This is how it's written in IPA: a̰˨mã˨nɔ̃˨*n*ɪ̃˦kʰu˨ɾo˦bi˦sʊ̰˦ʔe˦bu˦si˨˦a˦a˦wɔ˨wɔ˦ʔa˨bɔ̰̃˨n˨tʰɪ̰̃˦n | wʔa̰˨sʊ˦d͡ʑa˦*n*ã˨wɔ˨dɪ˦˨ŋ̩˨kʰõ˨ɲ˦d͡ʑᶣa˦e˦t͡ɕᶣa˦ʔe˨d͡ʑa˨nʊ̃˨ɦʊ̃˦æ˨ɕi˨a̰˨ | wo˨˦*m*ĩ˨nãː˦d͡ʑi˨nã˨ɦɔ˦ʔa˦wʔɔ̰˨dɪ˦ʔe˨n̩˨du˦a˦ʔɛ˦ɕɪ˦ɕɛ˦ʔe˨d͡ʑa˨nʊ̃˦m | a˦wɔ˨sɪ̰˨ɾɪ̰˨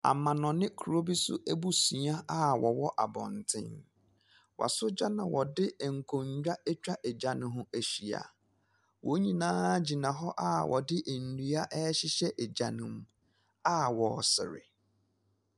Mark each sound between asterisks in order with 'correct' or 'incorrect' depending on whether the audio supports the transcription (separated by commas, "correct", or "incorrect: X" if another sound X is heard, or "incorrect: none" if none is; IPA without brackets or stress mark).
correct, correct, incorrect: ɲ